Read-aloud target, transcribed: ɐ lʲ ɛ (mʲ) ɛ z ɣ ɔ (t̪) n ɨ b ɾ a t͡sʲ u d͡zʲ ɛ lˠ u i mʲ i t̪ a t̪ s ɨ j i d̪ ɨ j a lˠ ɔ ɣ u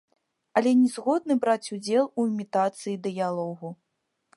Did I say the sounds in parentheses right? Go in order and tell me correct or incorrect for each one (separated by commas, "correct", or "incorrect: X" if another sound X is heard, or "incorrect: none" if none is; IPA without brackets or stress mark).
incorrect: nʲ, incorrect: d̪